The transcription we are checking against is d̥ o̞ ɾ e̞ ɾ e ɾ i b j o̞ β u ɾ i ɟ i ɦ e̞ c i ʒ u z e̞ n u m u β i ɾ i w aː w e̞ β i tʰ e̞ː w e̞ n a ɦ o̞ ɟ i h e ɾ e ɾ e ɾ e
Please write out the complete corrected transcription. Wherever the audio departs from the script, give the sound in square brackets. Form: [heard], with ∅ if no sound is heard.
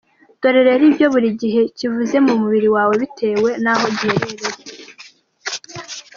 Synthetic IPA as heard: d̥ o̞ ɾ e̞ ɾ e ɾ i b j o̞ β u ɾ i ɟ i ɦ e̞ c i [v] u z e̞ [m] u m u β i ɾ i w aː w e̞ β i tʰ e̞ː w e̞ n a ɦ o̞ ɟ i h e ɾ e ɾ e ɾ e